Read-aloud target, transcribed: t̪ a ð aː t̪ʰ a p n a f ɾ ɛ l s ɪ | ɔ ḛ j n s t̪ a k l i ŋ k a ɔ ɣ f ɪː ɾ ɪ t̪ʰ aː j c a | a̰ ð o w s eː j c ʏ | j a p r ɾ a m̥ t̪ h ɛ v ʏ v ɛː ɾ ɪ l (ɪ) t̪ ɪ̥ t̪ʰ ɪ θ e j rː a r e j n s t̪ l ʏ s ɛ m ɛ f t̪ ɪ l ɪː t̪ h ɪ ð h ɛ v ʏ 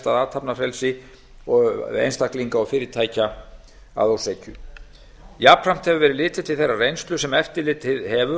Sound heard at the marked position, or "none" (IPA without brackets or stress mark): ɪː